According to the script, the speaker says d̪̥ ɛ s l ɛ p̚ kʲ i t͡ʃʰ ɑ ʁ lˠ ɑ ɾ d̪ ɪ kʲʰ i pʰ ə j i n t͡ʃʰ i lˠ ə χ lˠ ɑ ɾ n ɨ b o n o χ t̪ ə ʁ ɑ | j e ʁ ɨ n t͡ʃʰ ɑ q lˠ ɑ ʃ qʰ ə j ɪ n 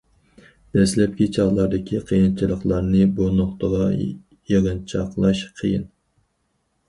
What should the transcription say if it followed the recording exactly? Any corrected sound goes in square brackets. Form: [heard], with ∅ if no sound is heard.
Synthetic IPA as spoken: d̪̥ ɛ s l ɛ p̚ kʲ i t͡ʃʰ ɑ ʁ lˠ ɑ ɾ d̪ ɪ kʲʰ i [qʰ] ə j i n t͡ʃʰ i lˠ ə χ lˠ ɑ ɾ n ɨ b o n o χ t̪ ə ʁ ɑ | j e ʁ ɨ n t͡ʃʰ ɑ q lˠ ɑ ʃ qʰ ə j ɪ n